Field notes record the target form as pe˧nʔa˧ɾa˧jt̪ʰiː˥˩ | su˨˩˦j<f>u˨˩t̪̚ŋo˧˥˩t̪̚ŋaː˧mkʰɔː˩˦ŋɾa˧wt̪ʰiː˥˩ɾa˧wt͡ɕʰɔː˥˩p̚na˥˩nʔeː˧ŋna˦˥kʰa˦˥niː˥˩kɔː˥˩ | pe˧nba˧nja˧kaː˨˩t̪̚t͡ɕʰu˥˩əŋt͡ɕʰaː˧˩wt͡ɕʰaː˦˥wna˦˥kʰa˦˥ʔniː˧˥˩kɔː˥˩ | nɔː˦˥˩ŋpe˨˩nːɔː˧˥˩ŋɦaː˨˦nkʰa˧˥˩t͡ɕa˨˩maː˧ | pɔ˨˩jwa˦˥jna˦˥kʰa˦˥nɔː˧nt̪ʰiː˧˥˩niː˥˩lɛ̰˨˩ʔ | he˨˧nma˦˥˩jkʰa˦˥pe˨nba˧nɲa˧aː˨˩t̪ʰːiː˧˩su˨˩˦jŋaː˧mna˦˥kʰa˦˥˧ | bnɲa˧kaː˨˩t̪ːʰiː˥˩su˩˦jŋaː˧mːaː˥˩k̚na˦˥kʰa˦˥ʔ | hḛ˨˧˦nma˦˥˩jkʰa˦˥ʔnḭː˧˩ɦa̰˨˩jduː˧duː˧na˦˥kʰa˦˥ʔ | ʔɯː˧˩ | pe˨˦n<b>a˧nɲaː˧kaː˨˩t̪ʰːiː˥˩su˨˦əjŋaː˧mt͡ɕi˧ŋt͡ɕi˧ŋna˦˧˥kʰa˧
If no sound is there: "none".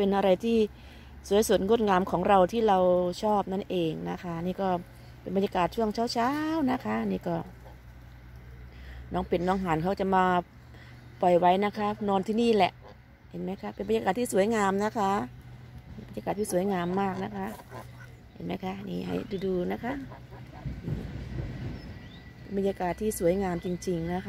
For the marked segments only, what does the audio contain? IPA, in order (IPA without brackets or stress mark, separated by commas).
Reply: s, b